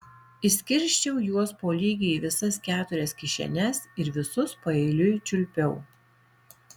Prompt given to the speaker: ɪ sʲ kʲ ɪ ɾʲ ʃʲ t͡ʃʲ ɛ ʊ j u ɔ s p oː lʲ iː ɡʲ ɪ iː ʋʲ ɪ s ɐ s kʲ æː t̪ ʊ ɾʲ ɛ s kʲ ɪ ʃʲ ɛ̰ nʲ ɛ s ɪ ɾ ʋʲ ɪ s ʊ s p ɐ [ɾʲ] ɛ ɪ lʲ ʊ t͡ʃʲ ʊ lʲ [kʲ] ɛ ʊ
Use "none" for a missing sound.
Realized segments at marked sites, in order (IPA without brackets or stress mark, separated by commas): none, pʲ